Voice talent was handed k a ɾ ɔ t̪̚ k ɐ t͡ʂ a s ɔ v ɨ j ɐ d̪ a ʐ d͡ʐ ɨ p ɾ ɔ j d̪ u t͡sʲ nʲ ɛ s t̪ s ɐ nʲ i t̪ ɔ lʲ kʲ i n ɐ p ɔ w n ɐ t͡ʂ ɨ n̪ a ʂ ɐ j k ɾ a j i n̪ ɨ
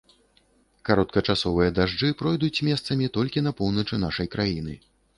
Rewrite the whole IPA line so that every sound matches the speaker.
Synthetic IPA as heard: k a ɾ ɔ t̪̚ k ɐ t͡ʂ a s ɔ v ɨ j ɐ d̪ a ʐ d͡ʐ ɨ p ɾ ɔ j d̪ u t͡sʲ mʲ ɛ s t̪ s ɐ mʲ i t̪ ɔ lʲ kʲ i n ɐ p ɔ w n ɐ t͡ʂ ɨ n̪ a ʂ ɐ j k ɾ a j i n̪ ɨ